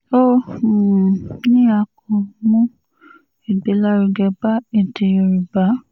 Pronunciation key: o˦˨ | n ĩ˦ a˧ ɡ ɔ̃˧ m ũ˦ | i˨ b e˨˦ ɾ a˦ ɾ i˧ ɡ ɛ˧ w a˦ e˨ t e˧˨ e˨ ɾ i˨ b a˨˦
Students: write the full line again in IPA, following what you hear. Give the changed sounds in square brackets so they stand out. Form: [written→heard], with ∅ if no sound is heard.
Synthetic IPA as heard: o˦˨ | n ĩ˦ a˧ [ɡ→k] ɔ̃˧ m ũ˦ | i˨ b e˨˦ [ɾ→l] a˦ ɾ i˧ ɡ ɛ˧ [w→b] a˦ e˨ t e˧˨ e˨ ɾ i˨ b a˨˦